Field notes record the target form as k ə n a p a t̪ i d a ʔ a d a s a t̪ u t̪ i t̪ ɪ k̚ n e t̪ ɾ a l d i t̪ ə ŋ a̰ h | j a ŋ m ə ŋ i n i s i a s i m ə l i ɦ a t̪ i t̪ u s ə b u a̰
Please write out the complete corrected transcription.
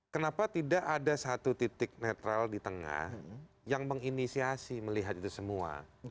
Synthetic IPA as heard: k ə n a p a t̪ i d a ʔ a d a s a t̪ u t̪ i t̪ ɪ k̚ n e t̪ ɾ a l d i t̪ ə ŋ a̰ h | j a ŋ m ə ŋ i n i s i a s i m ə l i ɦ a t̪ i t̪ u s ə m u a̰